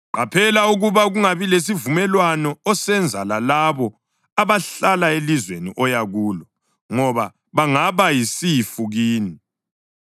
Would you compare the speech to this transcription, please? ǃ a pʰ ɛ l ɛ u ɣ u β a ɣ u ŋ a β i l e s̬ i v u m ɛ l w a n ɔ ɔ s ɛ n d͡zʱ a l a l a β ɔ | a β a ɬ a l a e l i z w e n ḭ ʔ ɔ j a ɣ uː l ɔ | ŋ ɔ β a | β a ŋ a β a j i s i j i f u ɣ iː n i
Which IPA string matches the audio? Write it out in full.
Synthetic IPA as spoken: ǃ a pʰ ɛ l a u ɣ u β a ɣ u ŋ a β i l e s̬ i v u m ɛ l w a n ɔ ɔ s ɛ n d͡zʱ a l a l a β ɔ | a β a ɬ a l a e l i z w e n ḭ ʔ ɔ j a ɣ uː l ɔ | ŋ ɔ β a | β a ŋ a β a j i s i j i f u ɣ iː n i